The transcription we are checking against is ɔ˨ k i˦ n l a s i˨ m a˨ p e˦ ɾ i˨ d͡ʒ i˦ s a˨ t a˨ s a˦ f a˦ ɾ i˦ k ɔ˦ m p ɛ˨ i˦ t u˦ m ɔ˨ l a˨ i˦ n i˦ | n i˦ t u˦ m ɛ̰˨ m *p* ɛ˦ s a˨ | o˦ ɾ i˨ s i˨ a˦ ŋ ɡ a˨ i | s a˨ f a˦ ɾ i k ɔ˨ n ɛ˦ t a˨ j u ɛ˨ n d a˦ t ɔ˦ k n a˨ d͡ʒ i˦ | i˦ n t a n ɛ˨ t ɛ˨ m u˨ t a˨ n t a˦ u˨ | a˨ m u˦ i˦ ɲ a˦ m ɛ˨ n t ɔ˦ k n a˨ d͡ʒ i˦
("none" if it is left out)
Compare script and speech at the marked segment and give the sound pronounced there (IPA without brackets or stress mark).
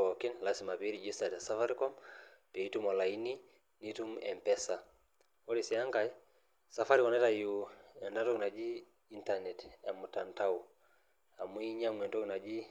p